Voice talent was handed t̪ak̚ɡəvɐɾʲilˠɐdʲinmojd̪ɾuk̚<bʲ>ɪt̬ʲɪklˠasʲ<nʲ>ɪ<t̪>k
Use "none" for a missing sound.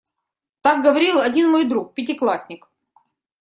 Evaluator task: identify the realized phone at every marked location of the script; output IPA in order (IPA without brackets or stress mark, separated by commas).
pʲ, nʲ, none